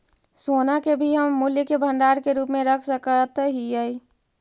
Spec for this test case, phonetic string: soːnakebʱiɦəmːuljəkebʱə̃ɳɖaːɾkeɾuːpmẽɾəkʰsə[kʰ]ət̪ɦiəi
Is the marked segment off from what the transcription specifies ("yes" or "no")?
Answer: yes